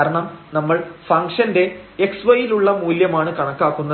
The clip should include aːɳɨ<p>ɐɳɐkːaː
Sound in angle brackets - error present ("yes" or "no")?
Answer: yes